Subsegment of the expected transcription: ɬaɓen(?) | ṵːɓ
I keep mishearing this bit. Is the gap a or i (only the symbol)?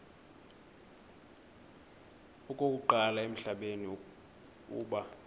i